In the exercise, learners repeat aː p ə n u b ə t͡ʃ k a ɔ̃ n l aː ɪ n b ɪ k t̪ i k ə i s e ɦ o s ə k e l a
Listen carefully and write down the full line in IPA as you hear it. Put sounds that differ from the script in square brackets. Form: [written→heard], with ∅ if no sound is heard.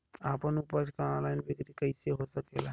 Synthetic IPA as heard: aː p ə n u [b→p] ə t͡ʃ k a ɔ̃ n l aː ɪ n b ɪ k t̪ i k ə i s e ɦ o s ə k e l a